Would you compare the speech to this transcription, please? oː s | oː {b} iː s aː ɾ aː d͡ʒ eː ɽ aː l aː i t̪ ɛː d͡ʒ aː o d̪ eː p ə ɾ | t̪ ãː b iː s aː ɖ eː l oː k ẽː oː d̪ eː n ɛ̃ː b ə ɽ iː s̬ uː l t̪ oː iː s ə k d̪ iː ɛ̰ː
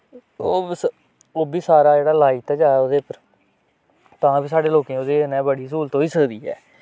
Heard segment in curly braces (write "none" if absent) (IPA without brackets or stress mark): b